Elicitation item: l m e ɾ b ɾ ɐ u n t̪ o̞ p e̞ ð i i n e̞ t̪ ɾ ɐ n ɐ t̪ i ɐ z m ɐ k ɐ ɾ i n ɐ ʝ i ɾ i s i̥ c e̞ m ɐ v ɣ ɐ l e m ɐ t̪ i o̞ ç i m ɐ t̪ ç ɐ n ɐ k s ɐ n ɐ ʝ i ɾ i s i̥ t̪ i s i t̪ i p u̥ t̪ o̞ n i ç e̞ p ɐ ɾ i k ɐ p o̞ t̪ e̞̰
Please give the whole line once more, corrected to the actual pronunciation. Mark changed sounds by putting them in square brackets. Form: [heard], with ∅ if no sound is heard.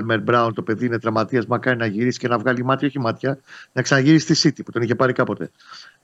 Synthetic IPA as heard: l m e ɾ b ɾ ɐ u n t̪ o̞ p e̞ ð i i n e̞ t̪ ɾ ɐ [m] ɐ t̪ i ɐ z m ɐ k ɐ ɾ i n ɐ ʝ i ɾ i s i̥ c e̞ [n] ɐ v ɣ ɐ l [i] m ɐ t̪ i o̞ ç i m ɐ t̪ ç ɐ n ɐ k s ɐ n ɐ ʝ i ɾ i s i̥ t̪ i s i t̪ i p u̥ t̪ o̞ n i ç e̞ p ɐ ɾ i k ɐ p o̞ t̪ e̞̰